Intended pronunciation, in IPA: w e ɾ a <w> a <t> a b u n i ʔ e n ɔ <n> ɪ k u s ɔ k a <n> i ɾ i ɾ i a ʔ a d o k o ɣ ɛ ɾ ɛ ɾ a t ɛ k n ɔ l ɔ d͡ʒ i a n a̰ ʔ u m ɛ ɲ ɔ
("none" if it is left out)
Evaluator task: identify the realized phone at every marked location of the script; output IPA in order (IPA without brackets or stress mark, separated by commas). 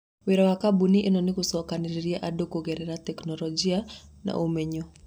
w, k, n, n